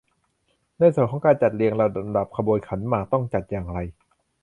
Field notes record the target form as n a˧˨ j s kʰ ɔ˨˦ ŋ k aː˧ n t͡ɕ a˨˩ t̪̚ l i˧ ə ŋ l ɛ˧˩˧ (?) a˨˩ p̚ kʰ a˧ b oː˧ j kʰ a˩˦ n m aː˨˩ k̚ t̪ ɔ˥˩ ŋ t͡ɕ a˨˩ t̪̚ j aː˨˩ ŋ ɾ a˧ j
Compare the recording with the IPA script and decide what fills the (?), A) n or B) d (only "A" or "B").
B